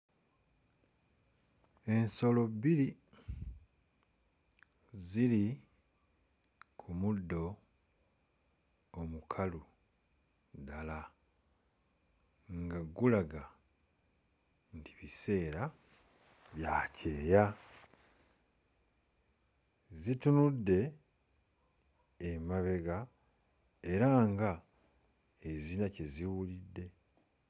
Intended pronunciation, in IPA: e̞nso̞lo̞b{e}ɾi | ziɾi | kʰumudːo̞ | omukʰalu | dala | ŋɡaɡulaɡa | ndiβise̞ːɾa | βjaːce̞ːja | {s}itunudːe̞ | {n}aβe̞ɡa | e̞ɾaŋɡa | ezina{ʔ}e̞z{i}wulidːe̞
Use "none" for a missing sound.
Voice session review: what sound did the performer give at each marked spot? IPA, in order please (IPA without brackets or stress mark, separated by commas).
i, z, m, c, i